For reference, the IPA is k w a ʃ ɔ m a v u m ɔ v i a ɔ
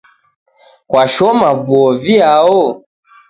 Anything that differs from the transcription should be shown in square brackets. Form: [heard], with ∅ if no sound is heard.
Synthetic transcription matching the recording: k w a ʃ ɔ m a v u [∅] ɔ v i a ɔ